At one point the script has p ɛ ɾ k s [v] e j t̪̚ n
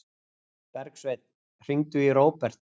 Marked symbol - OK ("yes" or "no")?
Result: yes